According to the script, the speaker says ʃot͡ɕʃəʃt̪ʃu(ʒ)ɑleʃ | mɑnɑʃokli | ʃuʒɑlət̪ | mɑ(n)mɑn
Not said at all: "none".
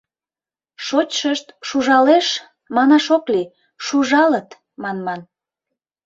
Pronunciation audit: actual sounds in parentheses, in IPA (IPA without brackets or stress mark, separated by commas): ʒ, n